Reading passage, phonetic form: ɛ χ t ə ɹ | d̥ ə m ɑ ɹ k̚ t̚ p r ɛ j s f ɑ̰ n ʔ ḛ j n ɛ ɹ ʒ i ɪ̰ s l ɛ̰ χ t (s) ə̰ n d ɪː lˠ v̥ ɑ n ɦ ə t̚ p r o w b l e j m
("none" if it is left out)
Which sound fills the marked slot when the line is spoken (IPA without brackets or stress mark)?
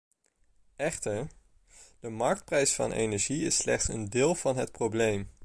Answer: s